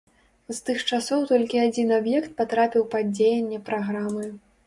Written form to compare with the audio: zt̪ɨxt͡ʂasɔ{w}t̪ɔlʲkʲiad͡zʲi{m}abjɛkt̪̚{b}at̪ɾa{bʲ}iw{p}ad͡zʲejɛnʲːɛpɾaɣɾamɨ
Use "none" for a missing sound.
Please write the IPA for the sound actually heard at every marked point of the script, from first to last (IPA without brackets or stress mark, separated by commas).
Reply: w, n, p, pʲ, p